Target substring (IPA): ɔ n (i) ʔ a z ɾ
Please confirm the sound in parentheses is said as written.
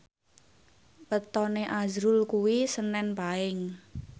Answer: no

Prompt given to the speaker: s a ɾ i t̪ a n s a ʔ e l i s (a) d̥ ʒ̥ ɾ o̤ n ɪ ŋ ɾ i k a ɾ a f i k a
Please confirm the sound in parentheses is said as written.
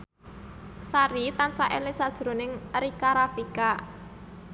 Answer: yes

